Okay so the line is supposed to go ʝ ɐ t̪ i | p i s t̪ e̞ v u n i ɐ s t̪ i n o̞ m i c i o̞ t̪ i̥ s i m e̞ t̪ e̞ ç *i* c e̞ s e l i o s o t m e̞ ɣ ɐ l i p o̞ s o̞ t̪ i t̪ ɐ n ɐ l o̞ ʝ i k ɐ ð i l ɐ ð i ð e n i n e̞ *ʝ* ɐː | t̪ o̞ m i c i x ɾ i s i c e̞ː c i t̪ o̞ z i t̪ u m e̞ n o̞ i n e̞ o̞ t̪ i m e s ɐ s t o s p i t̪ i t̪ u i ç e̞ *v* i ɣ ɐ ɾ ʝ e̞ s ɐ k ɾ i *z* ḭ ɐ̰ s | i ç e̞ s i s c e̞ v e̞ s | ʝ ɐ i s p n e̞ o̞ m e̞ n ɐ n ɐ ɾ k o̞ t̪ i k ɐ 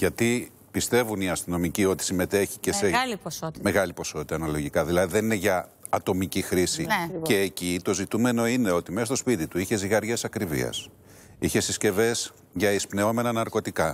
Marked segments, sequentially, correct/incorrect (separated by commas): correct, correct, incorrect, incorrect